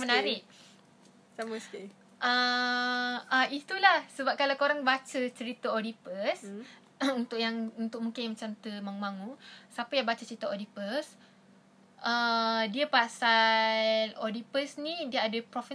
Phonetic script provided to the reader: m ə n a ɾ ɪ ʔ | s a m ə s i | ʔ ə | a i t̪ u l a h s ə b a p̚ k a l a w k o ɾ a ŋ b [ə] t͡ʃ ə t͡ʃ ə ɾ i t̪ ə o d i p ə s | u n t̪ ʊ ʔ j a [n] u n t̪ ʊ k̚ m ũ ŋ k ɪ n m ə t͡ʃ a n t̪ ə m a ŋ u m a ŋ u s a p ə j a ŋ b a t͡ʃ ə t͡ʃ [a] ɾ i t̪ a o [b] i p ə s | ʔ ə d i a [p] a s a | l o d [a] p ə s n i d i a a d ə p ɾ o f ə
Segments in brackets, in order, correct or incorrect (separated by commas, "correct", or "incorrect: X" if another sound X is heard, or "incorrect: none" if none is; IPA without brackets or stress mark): incorrect: a, incorrect: ŋ, incorrect: ə, incorrect: d, correct, incorrect: i